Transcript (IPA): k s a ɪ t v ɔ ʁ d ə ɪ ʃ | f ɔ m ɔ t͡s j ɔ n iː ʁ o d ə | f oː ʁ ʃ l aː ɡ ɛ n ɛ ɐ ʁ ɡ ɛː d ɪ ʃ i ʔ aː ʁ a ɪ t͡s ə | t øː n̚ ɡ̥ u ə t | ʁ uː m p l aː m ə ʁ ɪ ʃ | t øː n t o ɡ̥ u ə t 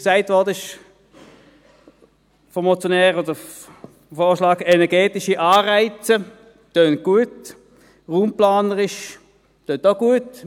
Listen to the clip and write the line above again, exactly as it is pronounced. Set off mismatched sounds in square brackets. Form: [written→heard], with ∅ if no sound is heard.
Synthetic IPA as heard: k s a ɪ t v ɔ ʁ d ə ɪ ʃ | f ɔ m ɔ t͡s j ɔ n [iː→ɛː] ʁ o d ə | f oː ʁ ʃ l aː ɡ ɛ n ɛ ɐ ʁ ɡ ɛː [d→t] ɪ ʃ i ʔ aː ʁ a ɪ t͡s ə | t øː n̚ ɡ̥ u ə t | ʁ uː m p l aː [m→n] ə ʁ ɪ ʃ | t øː n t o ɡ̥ u ə t